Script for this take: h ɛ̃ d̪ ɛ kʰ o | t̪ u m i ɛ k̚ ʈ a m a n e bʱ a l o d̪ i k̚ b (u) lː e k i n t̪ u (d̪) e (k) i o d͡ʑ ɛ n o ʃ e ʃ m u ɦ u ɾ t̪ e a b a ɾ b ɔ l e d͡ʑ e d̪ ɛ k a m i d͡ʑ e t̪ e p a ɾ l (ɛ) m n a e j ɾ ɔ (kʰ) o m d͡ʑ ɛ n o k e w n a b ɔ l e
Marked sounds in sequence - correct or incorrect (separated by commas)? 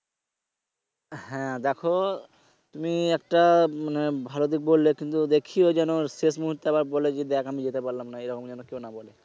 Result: incorrect, correct, incorrect, incorrect, incorrect